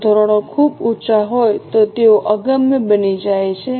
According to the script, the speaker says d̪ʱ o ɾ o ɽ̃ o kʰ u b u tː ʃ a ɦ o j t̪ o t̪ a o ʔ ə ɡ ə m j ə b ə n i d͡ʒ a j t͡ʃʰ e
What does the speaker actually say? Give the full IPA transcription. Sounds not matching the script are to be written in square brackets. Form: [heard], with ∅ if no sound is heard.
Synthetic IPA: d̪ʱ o ɾ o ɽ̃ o kʰ u b u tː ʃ a ɦ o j t̪ o t̪ [e] o ʔ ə ɡ ə m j ə b ə n i d͡ʒ a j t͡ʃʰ e